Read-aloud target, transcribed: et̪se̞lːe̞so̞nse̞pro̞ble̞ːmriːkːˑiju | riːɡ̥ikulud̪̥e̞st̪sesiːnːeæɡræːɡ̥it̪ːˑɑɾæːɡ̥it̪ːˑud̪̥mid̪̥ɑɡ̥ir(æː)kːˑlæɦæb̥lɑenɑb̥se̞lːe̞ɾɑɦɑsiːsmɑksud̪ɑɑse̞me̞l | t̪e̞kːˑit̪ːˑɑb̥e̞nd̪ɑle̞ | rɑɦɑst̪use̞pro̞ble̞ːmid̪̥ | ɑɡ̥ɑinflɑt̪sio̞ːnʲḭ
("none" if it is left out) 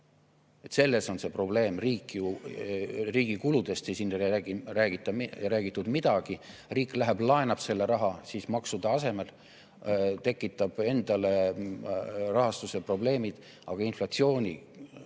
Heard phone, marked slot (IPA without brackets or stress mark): iː